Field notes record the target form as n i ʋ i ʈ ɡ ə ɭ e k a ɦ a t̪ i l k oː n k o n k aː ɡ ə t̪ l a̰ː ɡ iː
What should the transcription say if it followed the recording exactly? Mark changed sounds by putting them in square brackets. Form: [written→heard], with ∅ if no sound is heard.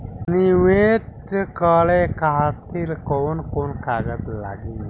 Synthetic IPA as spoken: n i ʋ [i→e] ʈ [ɡ→k] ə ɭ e k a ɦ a t̪ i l k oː n k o n k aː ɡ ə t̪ l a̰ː ɡ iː